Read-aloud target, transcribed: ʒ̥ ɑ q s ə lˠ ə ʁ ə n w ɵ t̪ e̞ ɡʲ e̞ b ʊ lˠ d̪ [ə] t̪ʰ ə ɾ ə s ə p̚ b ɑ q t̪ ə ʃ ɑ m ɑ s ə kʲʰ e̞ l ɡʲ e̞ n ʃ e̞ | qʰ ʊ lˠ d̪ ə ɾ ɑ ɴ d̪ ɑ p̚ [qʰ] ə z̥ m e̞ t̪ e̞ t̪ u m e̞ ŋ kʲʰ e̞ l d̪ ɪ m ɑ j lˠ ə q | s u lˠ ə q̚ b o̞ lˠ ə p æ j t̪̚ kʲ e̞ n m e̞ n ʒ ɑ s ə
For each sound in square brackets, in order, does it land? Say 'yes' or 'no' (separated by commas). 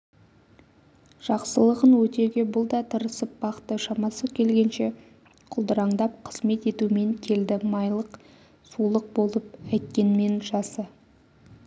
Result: no, yes